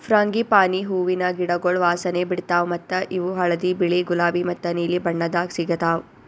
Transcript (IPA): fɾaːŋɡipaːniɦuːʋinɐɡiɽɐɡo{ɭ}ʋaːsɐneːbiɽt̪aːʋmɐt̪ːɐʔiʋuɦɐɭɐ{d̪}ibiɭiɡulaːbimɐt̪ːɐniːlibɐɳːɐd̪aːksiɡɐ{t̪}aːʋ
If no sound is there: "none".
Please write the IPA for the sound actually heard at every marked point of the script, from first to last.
ɭ, d̪, t̪

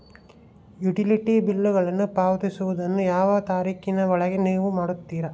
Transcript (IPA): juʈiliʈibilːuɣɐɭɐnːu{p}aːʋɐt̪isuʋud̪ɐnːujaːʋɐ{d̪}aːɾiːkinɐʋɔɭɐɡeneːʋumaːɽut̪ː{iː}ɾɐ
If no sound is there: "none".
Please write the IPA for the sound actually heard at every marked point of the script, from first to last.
p, t̪, iː

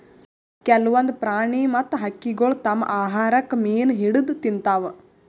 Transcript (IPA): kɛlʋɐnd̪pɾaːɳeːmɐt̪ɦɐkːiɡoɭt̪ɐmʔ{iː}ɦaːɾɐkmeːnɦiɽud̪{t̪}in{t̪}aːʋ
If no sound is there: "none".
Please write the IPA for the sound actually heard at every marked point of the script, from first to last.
aː, t̪, t̪

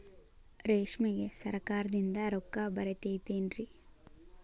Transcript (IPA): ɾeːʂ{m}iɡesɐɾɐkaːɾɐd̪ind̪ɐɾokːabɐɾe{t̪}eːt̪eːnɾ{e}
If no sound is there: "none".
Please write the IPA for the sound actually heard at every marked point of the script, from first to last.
m, t̪, i

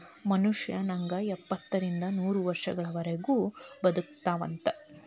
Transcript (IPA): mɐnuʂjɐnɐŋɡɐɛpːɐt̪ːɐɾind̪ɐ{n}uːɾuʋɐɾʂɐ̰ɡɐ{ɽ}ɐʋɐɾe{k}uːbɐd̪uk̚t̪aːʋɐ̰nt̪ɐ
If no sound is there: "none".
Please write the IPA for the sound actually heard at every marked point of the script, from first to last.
n, ɭ, ɡ

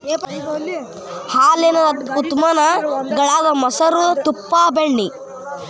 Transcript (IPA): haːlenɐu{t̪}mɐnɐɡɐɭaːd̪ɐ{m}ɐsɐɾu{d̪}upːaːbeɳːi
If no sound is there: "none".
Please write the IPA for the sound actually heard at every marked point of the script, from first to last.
t̪, m, t̪

